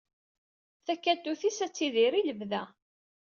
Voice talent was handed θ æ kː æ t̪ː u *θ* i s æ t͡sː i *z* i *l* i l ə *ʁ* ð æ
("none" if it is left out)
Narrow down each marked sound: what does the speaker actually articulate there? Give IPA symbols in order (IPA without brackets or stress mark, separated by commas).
θ, ð, ɾ, v